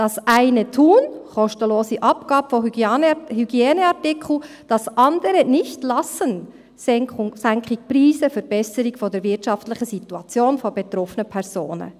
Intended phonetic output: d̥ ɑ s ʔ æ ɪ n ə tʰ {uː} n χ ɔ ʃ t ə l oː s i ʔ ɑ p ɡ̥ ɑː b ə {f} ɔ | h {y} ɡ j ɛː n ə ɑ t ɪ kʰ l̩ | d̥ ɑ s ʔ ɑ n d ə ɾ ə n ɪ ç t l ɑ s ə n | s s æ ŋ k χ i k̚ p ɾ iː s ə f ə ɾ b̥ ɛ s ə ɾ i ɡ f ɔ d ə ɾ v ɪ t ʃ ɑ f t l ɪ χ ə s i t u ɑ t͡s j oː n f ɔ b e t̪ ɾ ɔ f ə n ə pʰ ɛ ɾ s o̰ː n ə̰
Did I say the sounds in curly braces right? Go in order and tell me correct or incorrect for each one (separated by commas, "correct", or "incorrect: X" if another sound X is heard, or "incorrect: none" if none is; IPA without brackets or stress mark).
correct, correct, correct